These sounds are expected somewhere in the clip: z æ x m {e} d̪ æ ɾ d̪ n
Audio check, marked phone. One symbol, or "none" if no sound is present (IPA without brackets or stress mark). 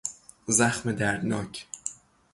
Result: e